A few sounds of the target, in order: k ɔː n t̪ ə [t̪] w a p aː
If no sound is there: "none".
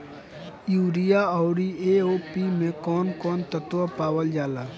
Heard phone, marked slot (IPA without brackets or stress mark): t̪